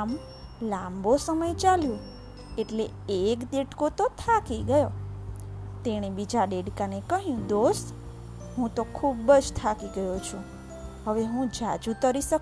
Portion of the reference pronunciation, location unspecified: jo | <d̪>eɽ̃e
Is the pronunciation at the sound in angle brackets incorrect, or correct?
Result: incorrect